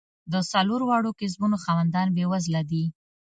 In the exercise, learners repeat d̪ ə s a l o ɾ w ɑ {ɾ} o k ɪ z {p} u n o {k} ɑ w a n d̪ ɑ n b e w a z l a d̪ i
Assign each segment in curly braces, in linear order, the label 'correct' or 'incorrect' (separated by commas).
incorrect, incorrect, incorrect